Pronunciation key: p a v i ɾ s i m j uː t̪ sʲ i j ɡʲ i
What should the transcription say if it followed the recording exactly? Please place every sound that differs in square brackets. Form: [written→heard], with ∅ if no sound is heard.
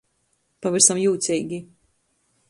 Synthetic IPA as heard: p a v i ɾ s [i→a] m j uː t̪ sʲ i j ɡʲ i